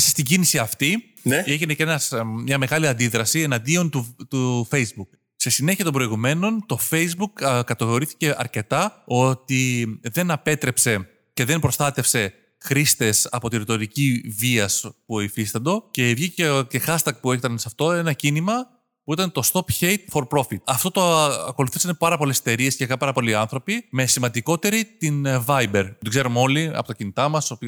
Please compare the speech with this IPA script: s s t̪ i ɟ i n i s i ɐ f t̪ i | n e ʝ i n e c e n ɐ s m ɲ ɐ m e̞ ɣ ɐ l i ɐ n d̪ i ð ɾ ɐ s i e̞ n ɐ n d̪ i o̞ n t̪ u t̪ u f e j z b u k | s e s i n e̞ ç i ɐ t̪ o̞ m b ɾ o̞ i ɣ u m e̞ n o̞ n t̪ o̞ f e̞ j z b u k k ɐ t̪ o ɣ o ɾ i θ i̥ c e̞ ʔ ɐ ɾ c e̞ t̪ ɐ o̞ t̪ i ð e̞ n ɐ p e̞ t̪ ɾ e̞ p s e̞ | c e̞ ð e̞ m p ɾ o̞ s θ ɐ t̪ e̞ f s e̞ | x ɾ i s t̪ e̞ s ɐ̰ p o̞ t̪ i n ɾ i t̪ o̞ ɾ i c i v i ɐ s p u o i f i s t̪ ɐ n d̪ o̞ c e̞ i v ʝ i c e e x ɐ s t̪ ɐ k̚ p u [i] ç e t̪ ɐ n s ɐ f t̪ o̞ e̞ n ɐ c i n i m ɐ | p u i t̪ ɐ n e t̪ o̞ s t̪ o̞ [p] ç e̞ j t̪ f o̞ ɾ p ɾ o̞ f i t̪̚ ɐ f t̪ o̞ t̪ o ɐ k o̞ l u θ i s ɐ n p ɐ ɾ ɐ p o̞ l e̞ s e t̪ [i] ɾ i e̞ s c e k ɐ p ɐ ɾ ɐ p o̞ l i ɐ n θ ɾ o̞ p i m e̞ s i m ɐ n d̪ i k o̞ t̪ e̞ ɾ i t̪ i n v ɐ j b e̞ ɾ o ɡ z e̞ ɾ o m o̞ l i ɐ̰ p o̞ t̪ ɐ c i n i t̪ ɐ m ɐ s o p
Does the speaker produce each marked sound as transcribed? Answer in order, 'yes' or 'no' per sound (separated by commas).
no, yes, no